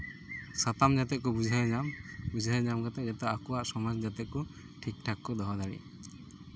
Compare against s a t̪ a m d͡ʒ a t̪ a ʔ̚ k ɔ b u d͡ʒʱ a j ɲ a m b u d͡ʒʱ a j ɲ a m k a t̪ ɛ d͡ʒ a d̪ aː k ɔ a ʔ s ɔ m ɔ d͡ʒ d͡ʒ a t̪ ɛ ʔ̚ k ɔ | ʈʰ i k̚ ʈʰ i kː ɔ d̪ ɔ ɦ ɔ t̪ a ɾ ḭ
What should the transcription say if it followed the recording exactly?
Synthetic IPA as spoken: s a t̪ a m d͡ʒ a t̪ ɛ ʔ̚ k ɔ b u d͡ʒʱ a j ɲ a m b u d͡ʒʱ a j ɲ a m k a t̪ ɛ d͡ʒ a t̪ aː k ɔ a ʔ s ɔ m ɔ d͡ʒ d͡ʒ a t̪ ɛ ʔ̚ k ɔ | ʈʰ i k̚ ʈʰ a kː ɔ d̪ ɔ ɦ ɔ d̪ a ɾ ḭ